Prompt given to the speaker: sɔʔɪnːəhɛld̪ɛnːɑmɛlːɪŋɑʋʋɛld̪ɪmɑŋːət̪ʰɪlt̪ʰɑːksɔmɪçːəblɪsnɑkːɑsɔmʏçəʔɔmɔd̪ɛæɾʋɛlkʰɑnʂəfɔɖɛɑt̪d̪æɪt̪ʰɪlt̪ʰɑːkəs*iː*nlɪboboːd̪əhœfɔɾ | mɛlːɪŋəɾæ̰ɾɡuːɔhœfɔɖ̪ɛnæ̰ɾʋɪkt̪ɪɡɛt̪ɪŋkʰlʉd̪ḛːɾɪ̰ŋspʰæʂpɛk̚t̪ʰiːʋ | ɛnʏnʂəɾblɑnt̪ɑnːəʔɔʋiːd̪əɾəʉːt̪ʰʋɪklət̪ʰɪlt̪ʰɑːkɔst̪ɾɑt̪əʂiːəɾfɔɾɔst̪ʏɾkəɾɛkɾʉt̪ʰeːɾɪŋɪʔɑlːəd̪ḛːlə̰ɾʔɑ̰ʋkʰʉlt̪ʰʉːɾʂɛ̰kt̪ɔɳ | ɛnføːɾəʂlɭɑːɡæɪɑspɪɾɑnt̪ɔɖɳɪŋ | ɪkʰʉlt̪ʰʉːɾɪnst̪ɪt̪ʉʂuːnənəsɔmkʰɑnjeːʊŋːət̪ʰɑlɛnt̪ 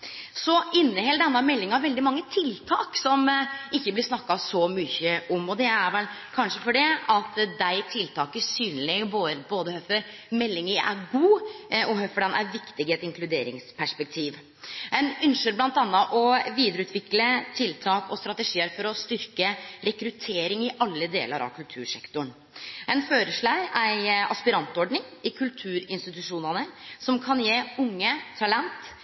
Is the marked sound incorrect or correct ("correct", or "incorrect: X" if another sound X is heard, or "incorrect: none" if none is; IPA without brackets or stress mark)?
incorrect: yː